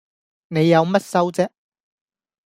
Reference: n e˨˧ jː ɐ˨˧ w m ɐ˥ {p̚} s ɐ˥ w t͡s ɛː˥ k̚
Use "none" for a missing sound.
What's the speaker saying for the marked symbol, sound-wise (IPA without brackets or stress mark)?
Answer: t̚